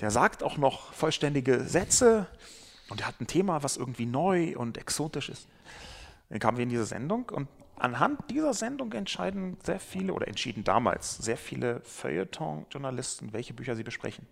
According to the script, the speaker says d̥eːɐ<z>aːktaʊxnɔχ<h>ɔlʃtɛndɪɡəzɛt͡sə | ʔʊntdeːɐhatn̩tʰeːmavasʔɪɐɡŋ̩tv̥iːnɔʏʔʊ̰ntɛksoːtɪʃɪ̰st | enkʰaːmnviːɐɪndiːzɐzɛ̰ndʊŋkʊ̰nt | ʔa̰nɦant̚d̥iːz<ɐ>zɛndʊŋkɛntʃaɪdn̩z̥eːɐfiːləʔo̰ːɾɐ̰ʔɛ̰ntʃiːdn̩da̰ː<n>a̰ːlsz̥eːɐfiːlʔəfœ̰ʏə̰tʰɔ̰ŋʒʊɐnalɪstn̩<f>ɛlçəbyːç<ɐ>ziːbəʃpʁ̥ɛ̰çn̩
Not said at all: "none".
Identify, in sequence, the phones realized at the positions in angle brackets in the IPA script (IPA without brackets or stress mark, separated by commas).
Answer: z, f, ɐ, m, v, ɐ